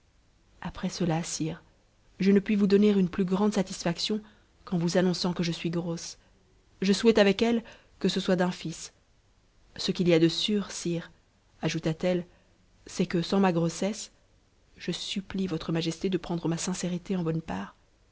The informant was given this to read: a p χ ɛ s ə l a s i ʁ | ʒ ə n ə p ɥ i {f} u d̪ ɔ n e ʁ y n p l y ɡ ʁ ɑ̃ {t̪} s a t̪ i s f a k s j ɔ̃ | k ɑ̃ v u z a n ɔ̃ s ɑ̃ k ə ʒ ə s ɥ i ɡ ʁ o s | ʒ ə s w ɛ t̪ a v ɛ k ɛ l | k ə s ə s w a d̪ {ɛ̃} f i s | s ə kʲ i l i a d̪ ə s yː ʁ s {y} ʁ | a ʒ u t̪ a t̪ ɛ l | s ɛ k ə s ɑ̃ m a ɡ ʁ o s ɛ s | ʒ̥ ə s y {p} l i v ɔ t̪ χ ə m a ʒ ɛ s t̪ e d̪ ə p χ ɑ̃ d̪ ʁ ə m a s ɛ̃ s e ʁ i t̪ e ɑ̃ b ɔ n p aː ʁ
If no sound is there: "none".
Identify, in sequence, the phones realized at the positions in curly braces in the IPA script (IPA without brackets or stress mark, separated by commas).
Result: v, d̪, ɛ̃, i, p